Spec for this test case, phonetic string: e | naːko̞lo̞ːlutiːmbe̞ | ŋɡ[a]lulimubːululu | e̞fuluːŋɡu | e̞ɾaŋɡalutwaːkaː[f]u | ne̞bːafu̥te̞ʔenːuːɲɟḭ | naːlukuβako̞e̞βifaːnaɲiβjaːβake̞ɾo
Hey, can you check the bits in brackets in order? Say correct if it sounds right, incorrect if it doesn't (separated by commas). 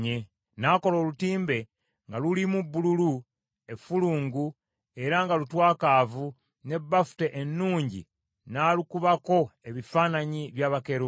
correct, incorrect